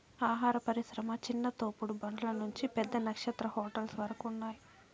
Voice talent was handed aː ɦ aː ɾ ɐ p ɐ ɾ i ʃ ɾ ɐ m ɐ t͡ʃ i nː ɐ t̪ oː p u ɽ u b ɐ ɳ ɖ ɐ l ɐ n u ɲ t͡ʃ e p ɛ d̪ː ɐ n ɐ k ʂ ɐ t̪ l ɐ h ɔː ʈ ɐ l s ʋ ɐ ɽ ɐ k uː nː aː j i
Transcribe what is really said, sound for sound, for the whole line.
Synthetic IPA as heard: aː ɦ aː ɾ ɐ p ɐ ɾ i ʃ ɾ ɐ m ɐ t͡ʃ i nː ɐ t̪ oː p u ɽ u b ɐ ɳ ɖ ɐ l ɐ n u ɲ t͡ʃ i p ɛ d̪ː ɐ n ɐ k ʂ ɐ t̪ ɾ ɐ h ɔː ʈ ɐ l s ʋ ɐ ɾ ɐ k u nː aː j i